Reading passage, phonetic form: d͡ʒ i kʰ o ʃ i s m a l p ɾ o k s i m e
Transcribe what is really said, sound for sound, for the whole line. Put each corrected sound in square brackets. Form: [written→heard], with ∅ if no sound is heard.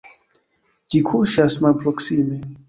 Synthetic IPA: d͡ʒ i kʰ [o→u] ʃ [i→a] s m a l p ɾ o k s i m e

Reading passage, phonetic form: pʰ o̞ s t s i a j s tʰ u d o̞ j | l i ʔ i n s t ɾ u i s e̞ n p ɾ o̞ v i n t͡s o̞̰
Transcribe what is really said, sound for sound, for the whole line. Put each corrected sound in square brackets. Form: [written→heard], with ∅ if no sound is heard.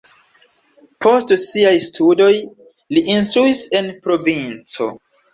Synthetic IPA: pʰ o̞ s t s i a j s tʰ u d o̞ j | l i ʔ i n s t ɾ u i s e̞ n p ɾ o̞ v i n t͡s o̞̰

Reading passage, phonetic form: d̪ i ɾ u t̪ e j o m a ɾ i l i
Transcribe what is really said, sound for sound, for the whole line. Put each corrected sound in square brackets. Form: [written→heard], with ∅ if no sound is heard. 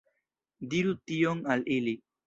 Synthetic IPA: d̪ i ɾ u t̪ [e→i] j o [m→ŋ] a [ɾ→l] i l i

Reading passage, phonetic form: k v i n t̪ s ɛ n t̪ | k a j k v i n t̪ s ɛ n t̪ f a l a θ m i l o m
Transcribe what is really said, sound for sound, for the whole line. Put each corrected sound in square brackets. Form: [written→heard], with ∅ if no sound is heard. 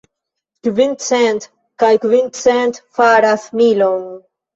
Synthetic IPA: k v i n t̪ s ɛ n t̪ | k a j k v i n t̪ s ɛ n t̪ f a [l→ɾ] a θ m i l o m

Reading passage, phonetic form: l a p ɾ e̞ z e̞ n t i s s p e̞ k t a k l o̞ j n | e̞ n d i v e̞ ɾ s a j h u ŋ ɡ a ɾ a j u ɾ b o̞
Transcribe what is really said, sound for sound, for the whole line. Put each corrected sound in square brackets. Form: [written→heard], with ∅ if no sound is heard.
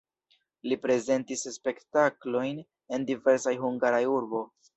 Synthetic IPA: l [a→i] p ɾ e̞ z e̞ n t i s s p e̞ k t a k l o̞ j n | e̞ n d i v e̞ ɾ s a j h u ŋ ɡ a ɾ a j u ɾ b o̞

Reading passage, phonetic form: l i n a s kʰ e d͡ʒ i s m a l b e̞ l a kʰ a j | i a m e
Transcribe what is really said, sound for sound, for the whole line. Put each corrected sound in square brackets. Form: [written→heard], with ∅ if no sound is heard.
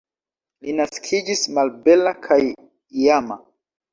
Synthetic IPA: l i n a s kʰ [e→i] d͡ʒ i s m a l b e̞ l a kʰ a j | i a m [e→a]

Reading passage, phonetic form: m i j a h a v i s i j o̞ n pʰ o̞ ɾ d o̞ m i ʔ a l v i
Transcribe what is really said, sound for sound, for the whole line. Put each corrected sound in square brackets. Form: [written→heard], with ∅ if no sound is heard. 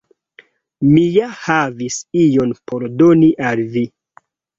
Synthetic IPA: m i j a h a v i s i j o̞ n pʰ o̞ ɾ d o̞ [m→n] i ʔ a l v i

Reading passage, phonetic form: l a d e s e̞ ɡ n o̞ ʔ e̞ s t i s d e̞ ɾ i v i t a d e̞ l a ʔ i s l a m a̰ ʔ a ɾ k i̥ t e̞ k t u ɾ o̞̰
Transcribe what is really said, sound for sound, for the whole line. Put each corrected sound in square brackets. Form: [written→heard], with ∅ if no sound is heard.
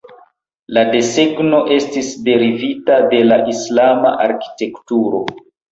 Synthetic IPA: l a d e s e̞ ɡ n o̞ ʔ e̞ s t i s d e̞ ɾ i v i t a d e̞ l a ʔ i s l a m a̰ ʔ a ɾ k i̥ t e̞ k t u ɾ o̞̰

